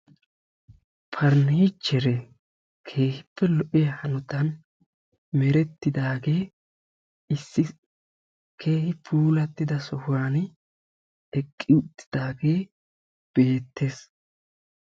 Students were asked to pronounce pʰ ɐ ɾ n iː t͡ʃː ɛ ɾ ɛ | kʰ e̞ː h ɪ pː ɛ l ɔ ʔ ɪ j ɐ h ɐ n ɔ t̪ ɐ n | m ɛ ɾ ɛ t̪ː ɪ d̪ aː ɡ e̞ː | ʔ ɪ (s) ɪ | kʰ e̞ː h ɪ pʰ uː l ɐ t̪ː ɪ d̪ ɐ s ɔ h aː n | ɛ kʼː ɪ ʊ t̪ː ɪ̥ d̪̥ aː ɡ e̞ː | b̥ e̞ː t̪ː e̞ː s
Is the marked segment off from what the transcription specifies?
yes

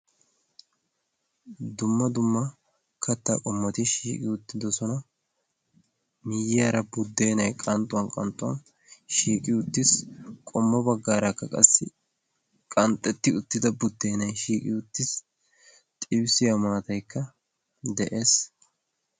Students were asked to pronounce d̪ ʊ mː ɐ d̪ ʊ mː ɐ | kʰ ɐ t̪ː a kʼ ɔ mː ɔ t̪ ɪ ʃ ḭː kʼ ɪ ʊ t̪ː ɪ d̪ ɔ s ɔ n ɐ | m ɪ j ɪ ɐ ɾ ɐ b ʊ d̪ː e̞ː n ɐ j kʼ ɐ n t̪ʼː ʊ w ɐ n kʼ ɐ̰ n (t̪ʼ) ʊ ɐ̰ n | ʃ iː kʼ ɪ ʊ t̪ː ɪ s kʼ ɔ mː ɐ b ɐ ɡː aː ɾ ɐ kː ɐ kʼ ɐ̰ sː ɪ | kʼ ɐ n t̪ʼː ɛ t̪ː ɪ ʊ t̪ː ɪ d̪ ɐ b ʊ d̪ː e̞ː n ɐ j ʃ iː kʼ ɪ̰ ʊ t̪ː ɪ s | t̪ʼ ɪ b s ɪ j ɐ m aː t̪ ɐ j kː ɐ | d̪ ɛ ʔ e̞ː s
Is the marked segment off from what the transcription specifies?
no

